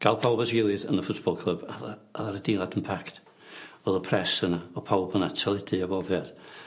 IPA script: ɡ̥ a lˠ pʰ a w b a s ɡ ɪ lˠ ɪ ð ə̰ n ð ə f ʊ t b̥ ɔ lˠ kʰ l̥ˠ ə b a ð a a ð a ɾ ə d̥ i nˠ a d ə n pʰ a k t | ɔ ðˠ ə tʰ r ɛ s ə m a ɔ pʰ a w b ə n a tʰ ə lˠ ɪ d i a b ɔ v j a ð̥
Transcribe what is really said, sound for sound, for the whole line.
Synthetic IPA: ɡ̥ a lˠ pʰ a w b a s ɡ ɪ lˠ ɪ ð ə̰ n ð ə f ʊ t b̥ ɔ lˠ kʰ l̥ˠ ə b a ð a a ð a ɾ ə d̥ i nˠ a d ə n pʰ a k t | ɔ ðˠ ə pʰ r ɛ s ə n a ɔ pʰ a w b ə n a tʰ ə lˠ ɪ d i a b ɔ v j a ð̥